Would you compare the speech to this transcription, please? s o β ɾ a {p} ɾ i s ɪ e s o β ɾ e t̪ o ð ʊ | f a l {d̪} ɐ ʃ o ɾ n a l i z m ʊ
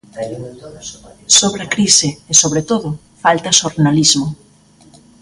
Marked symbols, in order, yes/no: no, no

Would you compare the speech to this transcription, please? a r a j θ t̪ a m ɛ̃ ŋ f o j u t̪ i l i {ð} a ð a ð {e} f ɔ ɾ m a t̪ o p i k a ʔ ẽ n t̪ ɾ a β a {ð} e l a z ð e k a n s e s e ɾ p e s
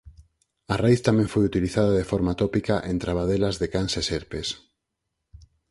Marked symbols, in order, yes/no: no, yes, yes

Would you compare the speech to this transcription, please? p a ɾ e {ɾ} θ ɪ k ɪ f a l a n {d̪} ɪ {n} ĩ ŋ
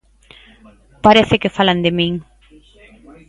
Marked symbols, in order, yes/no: no, yes, no

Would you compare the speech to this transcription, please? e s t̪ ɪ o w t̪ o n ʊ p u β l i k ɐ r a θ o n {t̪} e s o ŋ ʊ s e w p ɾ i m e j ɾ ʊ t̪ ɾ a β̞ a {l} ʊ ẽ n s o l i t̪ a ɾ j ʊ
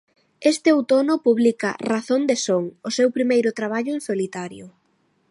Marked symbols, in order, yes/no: no, no

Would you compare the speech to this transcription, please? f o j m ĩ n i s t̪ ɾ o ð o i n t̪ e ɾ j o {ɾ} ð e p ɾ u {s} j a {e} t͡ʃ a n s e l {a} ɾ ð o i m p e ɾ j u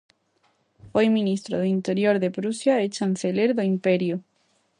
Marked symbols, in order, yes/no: yes, yes, yes, no

